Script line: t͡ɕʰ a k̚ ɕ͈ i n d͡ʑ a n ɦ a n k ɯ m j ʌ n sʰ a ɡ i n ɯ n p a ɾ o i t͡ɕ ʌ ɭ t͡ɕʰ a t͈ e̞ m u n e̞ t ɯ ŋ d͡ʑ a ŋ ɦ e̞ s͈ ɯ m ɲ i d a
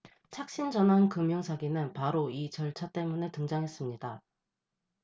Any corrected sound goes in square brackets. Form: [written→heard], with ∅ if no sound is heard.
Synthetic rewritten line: t͡ɕʰ a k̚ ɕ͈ i n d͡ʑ [a→ʌ] n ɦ a n k ɯ m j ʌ [n→ŋ] sʰ a ɡ i n ɯ n p a ɾ o i t͡ɕ ʌ ɭ t͡ɕʰ a t͈ e̞ m u n e̞ t ɯ ŋ d͡ʑ a ŋ ɦ e̞ s͈ ɯ m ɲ i d a